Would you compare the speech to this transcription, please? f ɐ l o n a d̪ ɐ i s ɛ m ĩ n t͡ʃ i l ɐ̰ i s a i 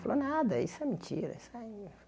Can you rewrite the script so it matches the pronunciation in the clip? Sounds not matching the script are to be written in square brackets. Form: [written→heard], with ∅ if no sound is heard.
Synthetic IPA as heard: f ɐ l o n a d̪ ɐ i s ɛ m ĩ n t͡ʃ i [l→ɾ] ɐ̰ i s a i

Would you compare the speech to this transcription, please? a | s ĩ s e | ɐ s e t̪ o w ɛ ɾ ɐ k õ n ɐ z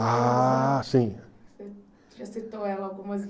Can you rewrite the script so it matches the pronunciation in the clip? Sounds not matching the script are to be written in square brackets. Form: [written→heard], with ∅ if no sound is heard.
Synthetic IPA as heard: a | s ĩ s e | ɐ s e t̪ o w ɛ [ɾ→l] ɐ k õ [n→m] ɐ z

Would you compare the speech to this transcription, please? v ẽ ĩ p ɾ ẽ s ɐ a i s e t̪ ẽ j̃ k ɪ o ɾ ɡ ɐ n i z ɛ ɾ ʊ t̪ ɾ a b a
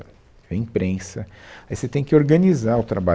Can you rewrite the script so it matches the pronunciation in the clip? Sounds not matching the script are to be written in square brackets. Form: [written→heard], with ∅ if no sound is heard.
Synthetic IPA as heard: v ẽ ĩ p ɾ ẽ s ɐ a i s e t̪ ẽ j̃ k ɪ o ɾ ɡ ɐ n i z [ɛ→a] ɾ ʊ t̪ ɾ a b a

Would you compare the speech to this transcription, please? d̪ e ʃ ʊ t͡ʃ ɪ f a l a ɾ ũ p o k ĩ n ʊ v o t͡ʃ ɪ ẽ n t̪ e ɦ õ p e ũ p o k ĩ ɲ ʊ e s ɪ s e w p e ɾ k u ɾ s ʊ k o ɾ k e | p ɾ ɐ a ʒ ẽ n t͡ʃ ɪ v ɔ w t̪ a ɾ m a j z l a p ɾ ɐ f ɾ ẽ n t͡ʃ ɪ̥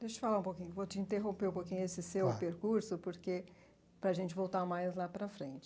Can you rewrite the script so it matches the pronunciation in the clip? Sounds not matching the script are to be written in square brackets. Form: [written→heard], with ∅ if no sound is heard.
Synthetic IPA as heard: d̪ e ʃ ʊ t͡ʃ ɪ f a l a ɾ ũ p o k ĩ [n→ɲ] ʊ v o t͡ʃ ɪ [ẽ→ĩ] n t̪ e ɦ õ p e ũ p o k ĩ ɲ ʊ e s ɪ s e w p e ɾ k u ɾ s ʊ [k→p] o ɾ k e | p ɾ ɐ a ʒ ẽ n t͡ʃ ɪ v [ɔ→o] w t̪ a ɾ m a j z l a p ɾ ɐ f ɾ ẽ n t͡ʃ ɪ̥

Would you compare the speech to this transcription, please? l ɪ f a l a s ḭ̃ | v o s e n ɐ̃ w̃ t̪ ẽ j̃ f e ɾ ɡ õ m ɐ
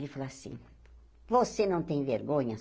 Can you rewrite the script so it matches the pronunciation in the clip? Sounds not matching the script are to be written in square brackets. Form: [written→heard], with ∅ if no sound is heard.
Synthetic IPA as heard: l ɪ f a l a s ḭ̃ | v o s e n ɐ̃ w̃ t̪ ẽ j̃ [f→v] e ɾ ɡ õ [m→ɲ] ɐ

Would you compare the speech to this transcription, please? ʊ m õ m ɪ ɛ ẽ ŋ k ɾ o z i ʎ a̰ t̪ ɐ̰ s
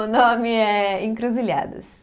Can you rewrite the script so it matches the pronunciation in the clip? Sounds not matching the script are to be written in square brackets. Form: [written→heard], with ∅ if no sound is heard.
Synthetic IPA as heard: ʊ [m→n] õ m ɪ ɛ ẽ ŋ k ɾ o z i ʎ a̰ [t̪→d̪] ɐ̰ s

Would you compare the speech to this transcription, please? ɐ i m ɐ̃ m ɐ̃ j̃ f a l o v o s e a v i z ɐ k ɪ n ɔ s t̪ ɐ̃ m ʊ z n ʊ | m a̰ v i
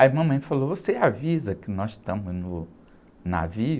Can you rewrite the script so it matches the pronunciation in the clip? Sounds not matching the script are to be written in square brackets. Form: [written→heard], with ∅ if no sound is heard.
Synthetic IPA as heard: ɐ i m ɐ̃ m ɐ̃ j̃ f a l o v o s e a v i z ɐ k ɪ n ɔ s t̪ ɐ̃ m ʊ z n ʊ | [m→n] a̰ v i

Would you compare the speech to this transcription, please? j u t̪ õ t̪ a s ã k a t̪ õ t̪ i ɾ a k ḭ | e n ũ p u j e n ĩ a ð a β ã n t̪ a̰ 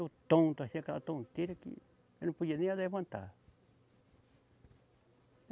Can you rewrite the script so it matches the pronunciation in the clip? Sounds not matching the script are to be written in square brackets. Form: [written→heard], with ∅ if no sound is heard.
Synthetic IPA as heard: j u t̪ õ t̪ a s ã k a t̪ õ t̪ i ɾ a k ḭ | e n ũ p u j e n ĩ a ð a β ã n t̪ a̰

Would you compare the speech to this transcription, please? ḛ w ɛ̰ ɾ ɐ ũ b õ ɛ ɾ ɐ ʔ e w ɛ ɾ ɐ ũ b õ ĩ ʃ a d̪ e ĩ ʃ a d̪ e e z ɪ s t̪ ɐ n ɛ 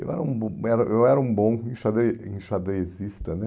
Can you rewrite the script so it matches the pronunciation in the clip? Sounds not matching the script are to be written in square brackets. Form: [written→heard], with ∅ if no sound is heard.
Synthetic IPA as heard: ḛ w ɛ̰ ɾ ɐ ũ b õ ɛ ɾ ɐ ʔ e w ɛ ɾ ɐ ũ b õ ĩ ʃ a d̪ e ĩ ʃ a d̪ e e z [ɪ→i] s t̪ ɐ n ɛ

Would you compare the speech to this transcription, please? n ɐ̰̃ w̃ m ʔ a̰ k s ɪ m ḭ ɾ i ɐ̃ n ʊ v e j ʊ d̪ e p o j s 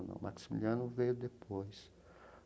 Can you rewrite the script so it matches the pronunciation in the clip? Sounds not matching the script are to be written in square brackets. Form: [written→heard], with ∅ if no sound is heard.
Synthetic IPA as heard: n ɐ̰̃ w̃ m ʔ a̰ k s [ɪ→i] m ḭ [ɾ→l] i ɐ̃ n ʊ v e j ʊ d̪ e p o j s

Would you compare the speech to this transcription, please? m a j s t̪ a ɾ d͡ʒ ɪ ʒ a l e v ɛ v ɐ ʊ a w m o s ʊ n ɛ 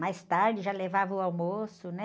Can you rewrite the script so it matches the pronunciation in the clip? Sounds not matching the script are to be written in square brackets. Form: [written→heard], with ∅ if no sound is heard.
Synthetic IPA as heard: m a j s t̪ a ɾ d͡ʒ ɪ ʒ a l e v [ɛ→a] v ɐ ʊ a w m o s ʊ n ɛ

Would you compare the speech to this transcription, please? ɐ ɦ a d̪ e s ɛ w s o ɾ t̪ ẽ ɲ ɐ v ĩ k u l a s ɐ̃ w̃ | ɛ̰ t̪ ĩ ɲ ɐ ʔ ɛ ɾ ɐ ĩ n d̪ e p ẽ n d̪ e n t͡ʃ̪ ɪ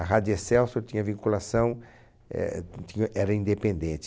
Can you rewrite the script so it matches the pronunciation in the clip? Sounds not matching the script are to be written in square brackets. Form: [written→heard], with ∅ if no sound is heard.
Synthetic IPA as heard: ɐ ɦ a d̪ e s ɛ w s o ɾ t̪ [ẽ→ĩ] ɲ ɐ v ĩ k u l a s ɐ̃ w̃ | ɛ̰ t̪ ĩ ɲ ɐ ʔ ɛ ɾ ɐ ĩ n d̪ e p ẽ n d̪ [e→ẽ] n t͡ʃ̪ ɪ

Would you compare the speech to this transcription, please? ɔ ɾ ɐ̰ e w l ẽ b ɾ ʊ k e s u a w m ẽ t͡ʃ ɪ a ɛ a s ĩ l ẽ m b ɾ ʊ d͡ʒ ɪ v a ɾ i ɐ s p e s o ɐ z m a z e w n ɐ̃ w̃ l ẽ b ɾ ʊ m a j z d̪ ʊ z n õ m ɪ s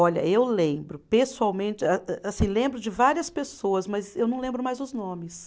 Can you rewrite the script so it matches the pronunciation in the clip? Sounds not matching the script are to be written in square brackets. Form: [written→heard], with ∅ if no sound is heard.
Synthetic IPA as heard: ɔ [ɾ→ʎ] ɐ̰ e w l ẽ b ɾ ʊ [k→p] e s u a w m ẽ t͡ʃ ɪ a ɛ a s ĩ l ẽ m b ɾ ʊ d͡ʒ ɪ v a ɾ i ɐ s p e s o ɐ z m [a→ɐ] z e w n ɐ̃ w̃ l ẽ b ɾ ʊ m a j z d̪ ʊ z n õ m ɪ s

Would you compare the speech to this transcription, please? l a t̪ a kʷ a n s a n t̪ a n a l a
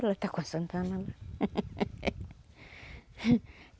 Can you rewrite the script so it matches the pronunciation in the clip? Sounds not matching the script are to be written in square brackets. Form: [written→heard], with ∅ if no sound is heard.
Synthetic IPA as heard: l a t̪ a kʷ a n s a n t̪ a n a l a

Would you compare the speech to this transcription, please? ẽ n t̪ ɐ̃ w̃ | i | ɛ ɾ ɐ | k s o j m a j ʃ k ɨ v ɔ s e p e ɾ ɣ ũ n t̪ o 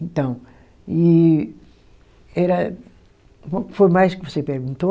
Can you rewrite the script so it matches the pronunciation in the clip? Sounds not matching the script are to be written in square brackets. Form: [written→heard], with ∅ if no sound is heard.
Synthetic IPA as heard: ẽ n t̪ ɐ̃ w̃ | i | ɛ ɾ ɐ | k [s→f] o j m a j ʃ k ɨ v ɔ s e p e ɾ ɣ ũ n t̪ o

